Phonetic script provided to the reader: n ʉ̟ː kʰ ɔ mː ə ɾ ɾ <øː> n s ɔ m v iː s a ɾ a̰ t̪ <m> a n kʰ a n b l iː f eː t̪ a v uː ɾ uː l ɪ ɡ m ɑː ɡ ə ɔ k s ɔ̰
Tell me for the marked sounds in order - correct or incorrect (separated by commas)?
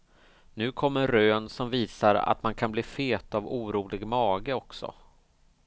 correct, correct